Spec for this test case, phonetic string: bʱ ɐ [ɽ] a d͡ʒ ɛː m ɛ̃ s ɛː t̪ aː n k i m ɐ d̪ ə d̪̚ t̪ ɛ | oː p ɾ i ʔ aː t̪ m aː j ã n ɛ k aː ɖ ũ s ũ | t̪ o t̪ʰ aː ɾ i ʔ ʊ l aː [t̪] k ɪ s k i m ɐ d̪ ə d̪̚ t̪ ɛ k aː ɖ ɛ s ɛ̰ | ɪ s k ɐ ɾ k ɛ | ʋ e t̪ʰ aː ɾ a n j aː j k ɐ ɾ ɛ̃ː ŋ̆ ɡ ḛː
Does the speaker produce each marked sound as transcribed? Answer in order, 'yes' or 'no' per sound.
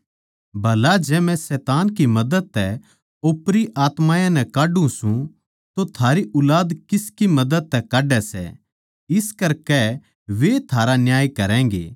no, no

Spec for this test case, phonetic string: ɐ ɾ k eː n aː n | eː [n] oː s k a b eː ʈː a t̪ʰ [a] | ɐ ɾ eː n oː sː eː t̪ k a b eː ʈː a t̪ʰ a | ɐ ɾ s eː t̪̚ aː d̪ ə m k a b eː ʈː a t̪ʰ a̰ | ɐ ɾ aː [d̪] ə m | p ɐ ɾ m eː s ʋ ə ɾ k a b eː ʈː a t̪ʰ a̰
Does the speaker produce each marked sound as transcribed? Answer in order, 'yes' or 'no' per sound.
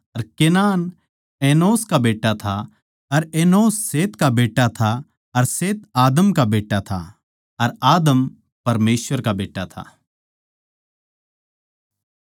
yes, yes, yes

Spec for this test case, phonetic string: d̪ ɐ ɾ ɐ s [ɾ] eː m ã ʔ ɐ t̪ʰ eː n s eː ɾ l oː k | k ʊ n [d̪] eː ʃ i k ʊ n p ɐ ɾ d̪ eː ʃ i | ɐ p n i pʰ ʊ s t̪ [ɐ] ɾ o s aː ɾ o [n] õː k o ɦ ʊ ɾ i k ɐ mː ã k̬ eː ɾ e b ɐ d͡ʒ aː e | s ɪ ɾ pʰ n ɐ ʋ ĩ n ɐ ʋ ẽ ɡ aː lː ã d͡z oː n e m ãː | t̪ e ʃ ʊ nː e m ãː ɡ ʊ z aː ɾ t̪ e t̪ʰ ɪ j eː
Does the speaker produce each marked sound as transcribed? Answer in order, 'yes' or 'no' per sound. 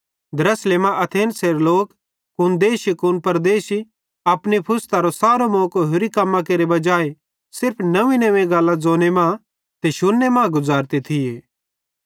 no, yes, no, no

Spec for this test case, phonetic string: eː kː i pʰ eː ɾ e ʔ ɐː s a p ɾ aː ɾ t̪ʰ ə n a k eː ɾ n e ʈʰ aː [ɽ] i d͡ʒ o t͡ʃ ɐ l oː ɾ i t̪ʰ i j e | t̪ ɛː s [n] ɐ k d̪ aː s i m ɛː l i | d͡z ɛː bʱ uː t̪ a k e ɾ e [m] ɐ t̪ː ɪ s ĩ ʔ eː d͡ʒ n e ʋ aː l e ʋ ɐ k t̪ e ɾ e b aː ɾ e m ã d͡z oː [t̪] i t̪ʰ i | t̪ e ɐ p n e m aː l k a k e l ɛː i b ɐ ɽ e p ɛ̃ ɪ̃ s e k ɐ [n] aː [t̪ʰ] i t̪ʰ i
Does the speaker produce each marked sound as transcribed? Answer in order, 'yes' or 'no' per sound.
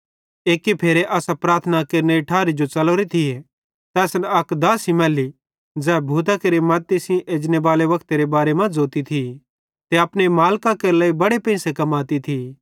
no, yes, yes, yes, no, no

